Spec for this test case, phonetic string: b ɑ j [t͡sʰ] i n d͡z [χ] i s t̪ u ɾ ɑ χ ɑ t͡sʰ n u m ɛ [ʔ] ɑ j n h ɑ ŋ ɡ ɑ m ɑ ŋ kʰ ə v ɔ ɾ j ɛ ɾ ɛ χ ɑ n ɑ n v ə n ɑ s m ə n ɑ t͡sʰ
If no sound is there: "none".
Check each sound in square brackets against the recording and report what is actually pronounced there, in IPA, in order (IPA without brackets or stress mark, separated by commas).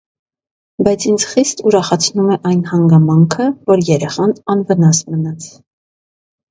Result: t͡sʰ, χ, ʔ